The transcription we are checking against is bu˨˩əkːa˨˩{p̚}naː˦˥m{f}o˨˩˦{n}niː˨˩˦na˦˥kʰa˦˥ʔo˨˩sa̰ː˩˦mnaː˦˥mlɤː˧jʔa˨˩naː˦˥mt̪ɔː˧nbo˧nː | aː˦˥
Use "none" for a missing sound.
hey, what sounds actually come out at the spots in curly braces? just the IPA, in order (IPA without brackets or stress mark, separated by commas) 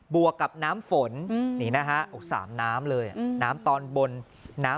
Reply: p̚, f, n